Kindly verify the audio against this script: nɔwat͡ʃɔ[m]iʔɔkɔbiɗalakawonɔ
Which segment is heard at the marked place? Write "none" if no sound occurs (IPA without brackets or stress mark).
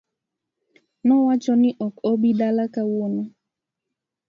n